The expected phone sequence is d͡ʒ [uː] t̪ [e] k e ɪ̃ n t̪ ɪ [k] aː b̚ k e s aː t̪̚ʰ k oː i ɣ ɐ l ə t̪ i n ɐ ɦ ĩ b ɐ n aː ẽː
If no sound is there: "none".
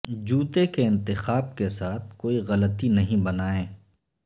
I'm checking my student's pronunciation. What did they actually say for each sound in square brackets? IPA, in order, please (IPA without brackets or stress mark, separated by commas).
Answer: uː, e, x